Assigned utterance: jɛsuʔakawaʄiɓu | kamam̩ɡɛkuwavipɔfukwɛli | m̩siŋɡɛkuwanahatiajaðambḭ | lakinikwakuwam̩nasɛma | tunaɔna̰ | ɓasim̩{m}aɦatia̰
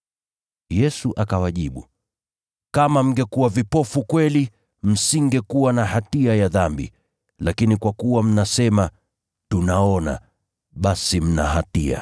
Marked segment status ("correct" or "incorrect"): incorrect